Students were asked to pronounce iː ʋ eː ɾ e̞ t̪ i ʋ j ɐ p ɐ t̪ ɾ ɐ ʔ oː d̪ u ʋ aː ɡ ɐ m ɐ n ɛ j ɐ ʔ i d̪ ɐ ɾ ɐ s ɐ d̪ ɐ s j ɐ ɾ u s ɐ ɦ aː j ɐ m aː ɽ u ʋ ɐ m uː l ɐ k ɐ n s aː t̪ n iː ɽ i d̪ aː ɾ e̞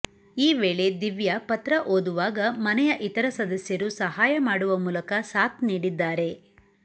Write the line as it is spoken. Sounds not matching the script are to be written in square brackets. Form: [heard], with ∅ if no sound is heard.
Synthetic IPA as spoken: iː ʋ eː [ɭ] e̞ [d̪] i ʋ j ɐ p ɐ t̪ ɾ ɐ ʔ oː d̪ u ʋ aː ɡ ɐ m ɐ n ɛ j ɐ ʔ i [t̪] ɐ ɾ ɐ s ɐ d̪ ɐ s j ɐ ɾ u s ɐ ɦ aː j ɐ m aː ɽ u ʋ ɐ m uː l ɐ k ɐ [∅] s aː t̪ n iː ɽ i [d̪ː] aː ɾ e̞